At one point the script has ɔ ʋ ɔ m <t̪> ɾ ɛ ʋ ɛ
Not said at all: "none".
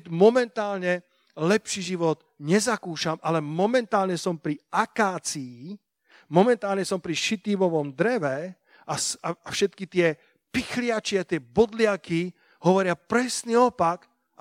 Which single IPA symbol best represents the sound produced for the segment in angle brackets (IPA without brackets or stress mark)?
d̪